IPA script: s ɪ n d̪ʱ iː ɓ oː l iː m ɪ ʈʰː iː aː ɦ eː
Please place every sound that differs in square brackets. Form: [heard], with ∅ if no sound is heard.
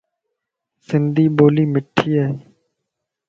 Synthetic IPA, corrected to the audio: s ɪ n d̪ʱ iː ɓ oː l iː m ɪ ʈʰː iː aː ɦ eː